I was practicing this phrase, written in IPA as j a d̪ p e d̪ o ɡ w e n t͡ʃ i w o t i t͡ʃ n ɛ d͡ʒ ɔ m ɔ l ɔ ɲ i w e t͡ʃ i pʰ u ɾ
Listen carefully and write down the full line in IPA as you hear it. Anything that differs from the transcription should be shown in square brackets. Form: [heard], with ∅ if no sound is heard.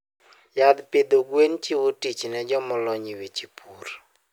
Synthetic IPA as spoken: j a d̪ p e d̪ o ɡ w e n t͡ʃ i w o t i t͡ʃ n ɛ d͡ʒ ɔ m ɔ l ɔ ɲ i w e t͡ʃ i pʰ u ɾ